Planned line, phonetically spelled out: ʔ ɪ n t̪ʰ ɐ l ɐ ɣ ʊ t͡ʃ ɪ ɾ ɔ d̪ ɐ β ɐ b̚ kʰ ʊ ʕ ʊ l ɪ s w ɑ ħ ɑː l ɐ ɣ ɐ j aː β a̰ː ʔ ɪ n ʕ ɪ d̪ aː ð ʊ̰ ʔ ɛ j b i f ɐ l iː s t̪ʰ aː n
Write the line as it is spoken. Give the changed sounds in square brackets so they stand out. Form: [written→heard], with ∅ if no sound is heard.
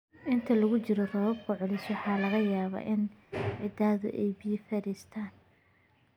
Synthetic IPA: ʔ ɪ n t̪ʰ ɐ l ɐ ɣ ʊ t͡ʃ ɪ ɾ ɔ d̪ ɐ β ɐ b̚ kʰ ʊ ʕ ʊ l ɪ s w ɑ ħ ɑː l ɐ ɣ ɐ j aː β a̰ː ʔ ɪ n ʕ ɪ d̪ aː ð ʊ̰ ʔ ɛ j b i f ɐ [l→ɾ] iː s t̪ʰ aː n